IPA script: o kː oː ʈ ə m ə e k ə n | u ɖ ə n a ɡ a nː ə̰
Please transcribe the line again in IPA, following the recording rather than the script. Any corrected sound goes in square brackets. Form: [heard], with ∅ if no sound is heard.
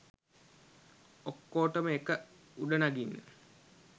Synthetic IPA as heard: o kː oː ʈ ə m ə e k ə [∅] | u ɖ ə n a ɡ [i] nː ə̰